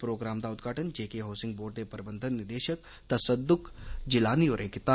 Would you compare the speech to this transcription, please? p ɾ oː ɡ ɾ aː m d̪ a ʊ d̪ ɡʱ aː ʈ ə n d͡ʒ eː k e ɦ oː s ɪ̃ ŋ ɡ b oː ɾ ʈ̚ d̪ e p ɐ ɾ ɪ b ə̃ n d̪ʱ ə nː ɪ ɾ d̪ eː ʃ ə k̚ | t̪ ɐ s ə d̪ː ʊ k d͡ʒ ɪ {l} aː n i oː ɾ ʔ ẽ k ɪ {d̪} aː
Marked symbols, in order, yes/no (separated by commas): yes, no